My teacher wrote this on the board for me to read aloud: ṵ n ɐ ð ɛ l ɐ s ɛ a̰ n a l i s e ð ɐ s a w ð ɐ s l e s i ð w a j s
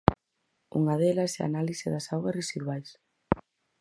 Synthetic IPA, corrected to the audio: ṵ ŋ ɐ ð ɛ l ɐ s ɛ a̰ n a l i s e ð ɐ s a w ɣ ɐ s r e s i ð w a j s